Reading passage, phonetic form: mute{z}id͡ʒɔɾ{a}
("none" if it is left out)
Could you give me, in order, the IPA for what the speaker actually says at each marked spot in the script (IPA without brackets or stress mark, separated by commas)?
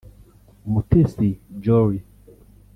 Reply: s, i